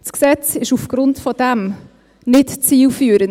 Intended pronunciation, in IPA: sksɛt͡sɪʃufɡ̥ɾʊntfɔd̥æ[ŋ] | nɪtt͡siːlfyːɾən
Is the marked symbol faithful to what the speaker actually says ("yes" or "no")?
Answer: no